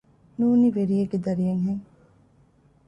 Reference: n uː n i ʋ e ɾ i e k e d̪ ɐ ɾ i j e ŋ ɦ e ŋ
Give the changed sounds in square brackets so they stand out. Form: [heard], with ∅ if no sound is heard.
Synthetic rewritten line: n uː n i ʋ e ɾ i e [ɡ] e d̪ ɐ ɾ i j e ŋ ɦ e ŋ

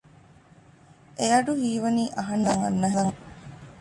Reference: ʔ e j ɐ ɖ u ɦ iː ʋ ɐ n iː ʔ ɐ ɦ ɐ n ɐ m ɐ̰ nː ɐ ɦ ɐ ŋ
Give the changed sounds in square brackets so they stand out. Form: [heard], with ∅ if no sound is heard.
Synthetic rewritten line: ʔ e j ɐ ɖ u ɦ iː ʋ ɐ n iː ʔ ɐ ɦ ɐ n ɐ [ŋ] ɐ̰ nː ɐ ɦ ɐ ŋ

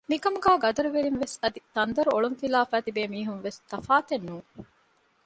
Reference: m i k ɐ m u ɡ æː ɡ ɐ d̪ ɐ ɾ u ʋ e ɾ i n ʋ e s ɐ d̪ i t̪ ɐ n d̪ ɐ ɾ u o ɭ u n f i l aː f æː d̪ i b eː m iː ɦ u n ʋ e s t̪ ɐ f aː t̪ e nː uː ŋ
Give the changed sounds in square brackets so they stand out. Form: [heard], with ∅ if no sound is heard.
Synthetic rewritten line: m i k ɐ m u ɡ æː ɡ ɐ d̪ ɐ ɾ u ʋ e ɾ i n ʋ e s ɐ d̪ i t̪ ɐ n d̪ ɐ ɾ u o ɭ u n f i l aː f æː [t̪] i b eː m iː ɦ u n ʋ e s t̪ ɐ f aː t̪ e nː uː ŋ

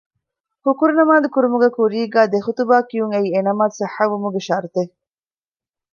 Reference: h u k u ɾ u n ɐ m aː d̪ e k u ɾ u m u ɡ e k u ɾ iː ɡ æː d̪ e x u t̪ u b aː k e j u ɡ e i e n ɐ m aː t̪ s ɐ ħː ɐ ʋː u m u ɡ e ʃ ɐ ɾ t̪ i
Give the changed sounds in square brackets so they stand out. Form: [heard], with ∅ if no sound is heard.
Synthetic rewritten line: h u k u ɾ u n ɐ m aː d̪ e k u ɾ u m u ɡ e k u ɾ iː ɡ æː d̪ e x u t̪ u b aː k [i] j u [ŋ] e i e n ɐ m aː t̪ s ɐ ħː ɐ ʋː u m u ɡ e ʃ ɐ ɾ t̪ [e]

